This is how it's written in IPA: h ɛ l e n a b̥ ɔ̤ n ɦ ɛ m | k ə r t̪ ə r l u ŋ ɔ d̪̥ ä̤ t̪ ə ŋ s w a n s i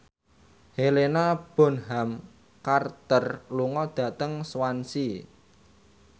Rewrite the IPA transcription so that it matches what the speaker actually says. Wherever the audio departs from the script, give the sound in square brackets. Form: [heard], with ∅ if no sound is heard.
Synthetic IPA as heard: h [e] l e n a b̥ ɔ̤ n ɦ [a] m | k [a] r t̪ ə r l u ŋ ɔ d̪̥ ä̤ t̪ ə ŋ s w a n s i